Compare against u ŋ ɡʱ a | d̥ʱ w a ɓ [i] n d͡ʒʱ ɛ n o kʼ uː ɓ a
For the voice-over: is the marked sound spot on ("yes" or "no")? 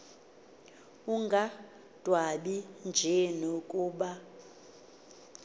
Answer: yes